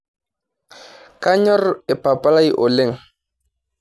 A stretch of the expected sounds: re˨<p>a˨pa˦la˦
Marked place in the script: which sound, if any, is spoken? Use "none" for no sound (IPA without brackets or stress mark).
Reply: p